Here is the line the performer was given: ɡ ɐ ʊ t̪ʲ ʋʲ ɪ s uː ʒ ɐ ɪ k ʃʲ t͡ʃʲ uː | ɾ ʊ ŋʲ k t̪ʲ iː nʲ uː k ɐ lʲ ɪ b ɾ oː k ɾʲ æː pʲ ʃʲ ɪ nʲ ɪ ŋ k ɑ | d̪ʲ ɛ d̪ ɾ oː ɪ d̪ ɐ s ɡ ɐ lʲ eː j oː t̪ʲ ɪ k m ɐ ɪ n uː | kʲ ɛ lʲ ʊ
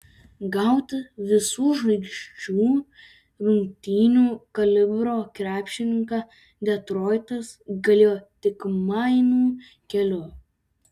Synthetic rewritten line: ɡ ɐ ʊ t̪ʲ ʋʲ ɪ s uː ʒ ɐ ɪ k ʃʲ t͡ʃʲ uː | ɾ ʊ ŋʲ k t̪ʲ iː nʲ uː k ɐ lʲ ɪ b ɾ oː k ɾʲ æː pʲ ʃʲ ɪ nʲ ɪ ŋ k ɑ | d̪ʲ ɛ t̪ ɾ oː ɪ t̪ ɐ s ɡ ɐ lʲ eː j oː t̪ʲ ɪ k m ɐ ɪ n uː | kʲ ɛ lʲ ʊ